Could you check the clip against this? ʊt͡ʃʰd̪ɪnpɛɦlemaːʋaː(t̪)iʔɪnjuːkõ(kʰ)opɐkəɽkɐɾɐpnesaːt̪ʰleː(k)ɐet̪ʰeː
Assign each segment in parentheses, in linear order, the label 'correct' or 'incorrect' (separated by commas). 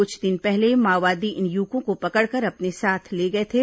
incorrect, incorrect, incorrect